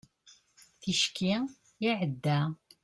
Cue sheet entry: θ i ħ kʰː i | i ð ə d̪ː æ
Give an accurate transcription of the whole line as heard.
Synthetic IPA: θ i ʃ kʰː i | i ʕ ə d̪ː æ